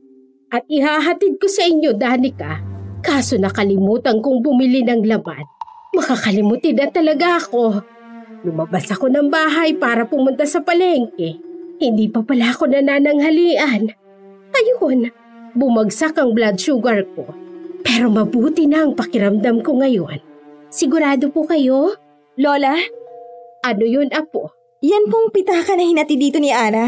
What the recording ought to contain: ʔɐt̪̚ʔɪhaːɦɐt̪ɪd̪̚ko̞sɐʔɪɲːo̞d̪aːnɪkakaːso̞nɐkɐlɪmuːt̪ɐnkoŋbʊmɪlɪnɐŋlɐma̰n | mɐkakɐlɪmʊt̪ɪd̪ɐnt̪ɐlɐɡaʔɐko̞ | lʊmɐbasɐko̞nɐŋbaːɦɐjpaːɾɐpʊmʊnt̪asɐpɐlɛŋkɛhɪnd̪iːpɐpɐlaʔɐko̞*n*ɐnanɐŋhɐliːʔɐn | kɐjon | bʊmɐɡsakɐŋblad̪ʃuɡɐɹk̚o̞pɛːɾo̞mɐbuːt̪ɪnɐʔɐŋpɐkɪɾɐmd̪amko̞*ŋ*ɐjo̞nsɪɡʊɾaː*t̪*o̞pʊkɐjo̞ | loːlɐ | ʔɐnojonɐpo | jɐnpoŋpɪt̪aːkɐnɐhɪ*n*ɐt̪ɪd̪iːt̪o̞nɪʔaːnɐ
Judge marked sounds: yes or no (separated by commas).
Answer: yes, yes, no, yes